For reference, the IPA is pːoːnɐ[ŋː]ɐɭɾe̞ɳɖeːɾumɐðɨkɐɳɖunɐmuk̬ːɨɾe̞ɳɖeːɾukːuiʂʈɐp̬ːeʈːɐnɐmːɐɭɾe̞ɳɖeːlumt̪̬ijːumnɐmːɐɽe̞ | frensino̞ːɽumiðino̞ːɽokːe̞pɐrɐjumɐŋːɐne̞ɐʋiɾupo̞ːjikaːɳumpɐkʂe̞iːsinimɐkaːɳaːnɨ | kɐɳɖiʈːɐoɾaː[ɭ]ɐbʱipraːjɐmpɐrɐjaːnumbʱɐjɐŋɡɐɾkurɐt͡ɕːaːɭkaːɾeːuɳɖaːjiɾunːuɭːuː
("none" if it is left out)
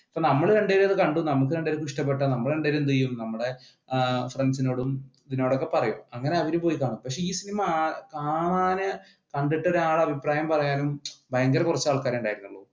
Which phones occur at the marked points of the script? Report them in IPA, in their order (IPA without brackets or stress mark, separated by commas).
mː, ɭ